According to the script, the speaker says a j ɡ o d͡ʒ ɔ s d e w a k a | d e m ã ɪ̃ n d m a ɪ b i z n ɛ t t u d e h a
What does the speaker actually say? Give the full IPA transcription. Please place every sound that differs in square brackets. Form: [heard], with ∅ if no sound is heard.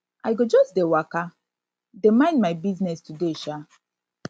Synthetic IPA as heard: a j ɡ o d͡ʒ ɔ s d e w a k a | d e m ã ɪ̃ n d m a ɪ b i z n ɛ [s] t u d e [ʃ] a

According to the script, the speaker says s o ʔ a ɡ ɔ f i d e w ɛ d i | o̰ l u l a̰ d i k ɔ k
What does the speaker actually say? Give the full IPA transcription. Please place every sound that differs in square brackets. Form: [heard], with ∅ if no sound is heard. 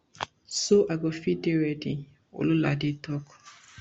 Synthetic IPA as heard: s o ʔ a ɡ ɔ f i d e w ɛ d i | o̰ l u l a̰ d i [t] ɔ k

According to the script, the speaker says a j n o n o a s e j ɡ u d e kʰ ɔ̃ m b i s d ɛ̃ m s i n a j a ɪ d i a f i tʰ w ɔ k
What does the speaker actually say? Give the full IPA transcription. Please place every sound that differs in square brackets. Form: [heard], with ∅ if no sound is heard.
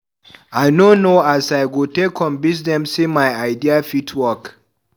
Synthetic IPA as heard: a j n o n o a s [a] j ɡ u [t] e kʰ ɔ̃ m b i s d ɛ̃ m s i [m] a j a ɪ d i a f i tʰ w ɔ k

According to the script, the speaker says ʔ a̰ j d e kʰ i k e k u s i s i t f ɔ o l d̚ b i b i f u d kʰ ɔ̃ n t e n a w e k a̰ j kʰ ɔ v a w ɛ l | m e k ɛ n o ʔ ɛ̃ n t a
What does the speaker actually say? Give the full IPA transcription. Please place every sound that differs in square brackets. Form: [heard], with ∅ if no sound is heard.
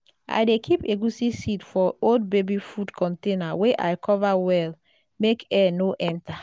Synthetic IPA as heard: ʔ a̰ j d e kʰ i [p] e [ɡ] u s i s i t f ɔ o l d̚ b [e] b i f u d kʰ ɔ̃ n t e n a w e [ʔ] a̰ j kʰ ɔ v a w ɛ l | m e k ɛ n o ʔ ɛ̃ n t a

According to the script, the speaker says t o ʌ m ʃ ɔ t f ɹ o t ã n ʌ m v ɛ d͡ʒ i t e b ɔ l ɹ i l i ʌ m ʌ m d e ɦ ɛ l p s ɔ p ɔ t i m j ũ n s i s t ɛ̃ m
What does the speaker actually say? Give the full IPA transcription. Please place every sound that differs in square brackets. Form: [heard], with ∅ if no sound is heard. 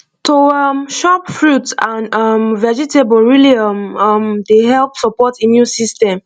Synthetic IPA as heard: t o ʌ m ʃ ɔ [p] f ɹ [u] t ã n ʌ m v ɛ d͡ʒ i t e b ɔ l ɹ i l i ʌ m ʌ m d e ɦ ɛ l p s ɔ p ɔ t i m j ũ n s i s t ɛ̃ m

